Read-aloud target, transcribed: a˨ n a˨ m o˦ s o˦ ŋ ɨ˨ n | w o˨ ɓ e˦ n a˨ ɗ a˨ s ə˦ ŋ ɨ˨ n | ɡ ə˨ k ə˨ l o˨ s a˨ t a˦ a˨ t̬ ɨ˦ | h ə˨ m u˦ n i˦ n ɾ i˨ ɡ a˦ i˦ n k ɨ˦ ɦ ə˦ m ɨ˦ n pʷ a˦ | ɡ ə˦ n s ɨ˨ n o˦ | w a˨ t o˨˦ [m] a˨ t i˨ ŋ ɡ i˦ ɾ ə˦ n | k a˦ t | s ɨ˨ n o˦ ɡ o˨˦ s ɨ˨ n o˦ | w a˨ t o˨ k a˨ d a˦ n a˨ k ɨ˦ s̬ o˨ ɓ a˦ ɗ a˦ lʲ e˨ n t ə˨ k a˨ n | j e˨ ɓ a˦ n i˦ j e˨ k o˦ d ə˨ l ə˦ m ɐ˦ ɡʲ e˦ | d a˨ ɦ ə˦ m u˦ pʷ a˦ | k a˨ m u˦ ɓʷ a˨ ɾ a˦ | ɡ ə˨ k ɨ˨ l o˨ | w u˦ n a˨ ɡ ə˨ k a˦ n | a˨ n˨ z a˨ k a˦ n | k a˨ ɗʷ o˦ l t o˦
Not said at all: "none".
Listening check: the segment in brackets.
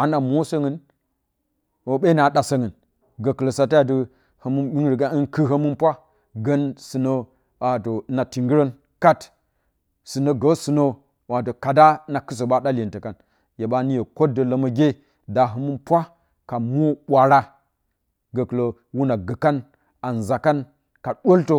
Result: n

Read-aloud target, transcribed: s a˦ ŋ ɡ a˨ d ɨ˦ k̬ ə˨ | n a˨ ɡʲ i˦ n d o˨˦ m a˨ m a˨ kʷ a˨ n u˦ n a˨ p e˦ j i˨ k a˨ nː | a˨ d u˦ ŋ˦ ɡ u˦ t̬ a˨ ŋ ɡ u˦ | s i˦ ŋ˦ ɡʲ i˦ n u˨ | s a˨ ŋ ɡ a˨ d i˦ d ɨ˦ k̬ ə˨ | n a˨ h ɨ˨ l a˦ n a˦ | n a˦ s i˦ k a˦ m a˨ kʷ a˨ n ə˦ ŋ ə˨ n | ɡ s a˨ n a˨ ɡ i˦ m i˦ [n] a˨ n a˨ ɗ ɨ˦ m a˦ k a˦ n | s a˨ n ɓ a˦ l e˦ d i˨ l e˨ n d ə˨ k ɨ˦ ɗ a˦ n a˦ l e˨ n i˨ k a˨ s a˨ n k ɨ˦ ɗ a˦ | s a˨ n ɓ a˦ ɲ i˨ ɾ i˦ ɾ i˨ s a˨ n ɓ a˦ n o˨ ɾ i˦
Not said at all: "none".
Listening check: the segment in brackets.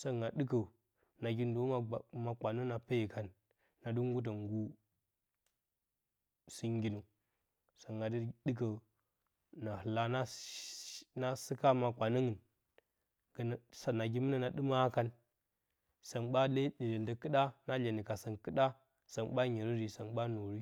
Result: n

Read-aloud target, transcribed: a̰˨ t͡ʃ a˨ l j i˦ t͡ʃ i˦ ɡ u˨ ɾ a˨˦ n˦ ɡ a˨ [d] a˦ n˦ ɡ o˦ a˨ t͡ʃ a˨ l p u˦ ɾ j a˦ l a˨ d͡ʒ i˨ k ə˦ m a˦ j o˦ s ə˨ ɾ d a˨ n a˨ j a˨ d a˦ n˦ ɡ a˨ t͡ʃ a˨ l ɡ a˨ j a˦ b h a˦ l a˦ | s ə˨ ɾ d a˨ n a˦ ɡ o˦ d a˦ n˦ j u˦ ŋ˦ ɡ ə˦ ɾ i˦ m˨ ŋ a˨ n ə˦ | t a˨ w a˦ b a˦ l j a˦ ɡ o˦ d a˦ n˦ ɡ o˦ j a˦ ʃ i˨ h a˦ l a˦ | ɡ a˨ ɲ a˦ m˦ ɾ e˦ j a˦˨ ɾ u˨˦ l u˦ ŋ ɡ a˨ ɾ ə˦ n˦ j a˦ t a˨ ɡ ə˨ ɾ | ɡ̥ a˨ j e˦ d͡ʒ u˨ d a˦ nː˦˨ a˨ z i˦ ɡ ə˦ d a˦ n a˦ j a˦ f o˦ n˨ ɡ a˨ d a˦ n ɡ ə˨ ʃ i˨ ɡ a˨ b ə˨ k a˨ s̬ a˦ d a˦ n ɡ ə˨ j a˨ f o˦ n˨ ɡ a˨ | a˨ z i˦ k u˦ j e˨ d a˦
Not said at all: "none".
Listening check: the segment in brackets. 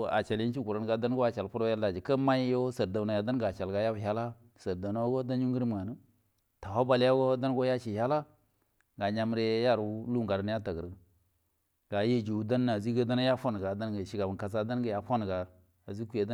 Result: d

